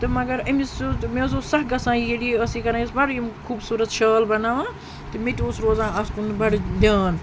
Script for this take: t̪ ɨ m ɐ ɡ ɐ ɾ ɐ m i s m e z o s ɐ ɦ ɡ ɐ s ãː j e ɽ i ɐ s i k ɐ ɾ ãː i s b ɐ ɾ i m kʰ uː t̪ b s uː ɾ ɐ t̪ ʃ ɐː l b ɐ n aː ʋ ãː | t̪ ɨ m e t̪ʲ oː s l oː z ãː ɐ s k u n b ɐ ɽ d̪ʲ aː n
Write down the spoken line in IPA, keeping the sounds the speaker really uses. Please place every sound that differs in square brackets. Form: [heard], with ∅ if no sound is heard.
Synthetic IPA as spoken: t̪ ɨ m ɐ ɡ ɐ ɾ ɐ m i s m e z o s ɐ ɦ ɡ ɐ s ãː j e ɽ i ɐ s i k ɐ ɾ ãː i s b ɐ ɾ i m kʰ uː [∅] b s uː ɾ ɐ t̪ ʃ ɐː l b ɐ n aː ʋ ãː | t̪ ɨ m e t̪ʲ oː s [ɾ] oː z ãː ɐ s k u n b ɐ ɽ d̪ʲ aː n